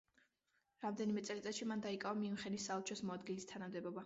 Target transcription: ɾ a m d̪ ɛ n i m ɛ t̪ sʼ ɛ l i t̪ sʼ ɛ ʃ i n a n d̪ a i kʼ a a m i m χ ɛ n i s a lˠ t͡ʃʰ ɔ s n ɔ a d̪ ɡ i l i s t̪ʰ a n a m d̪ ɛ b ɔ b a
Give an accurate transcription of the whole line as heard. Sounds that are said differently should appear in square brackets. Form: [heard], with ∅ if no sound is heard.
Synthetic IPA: ɾ a m d̪ ɛ n i m ɛ t̪ sʼ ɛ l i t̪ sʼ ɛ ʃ i [m] a n d̪ a i kʼ a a m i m χ ɛ n i s a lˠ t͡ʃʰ ɔ s [m] ɔ a d̪ ɡ i l i s t̪ʰ a n a m d̪ ɛ b ɔ b a

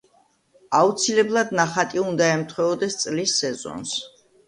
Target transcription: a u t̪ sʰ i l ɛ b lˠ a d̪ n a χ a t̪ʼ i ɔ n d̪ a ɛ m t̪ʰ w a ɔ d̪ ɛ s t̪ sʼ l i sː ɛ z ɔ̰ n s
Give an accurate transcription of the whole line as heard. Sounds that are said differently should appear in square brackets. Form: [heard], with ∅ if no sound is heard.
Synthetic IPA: a u t̪ sʰ i l ɛ b lˠ a d̪ n a χ a t̪ʼ i [u] n d̪ a ɛ m t̪ʰ w [ɛ] ɔ d̪ ɛ s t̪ sʼ l i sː ɛ z ɔ̰ n s

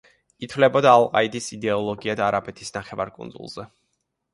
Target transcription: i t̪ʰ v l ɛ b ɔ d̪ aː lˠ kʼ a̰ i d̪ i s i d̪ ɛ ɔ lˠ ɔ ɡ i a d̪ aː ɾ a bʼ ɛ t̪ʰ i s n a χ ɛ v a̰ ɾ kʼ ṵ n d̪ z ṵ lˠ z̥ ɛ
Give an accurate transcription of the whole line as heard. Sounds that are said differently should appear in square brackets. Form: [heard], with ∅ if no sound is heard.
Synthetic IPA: i t̪ʰ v l ɛ b ɔ d̪ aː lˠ [qʼ] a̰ i d̪ i s i d̪ ɛ ɔ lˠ ɔ ɡ i a d̪ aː ɾ a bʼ ɛ t̪ʰ i s n a χ ɛ v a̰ ɾ kʼ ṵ n d̪ z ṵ lˠ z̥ ɛ

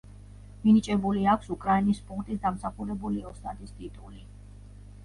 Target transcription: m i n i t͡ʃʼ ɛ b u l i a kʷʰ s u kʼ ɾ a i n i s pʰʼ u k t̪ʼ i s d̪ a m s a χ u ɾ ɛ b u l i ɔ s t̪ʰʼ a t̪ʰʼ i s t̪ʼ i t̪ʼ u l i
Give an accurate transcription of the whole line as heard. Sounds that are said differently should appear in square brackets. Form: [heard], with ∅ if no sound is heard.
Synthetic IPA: m i n i t͡ʃʼ ɛ b u l i a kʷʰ s u kʼ ɾ a i n i s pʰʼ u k t̪ʼ i s d̪ a m s a χ u ɾ ɛ b u l i ɔ s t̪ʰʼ a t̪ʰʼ i s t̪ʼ i t̪ʼ u l i

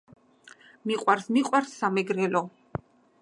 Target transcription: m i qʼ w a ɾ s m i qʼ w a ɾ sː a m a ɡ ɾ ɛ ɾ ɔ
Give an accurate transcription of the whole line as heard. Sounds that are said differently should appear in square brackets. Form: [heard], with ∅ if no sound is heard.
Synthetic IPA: m i qʼ w a ɾ s m i qʼ w a ɾ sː a m [ɛ] ɡ ɾ ɛ [l] ɔ

